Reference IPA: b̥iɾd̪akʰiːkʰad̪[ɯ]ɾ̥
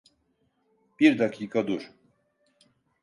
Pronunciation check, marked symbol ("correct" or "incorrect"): incorrect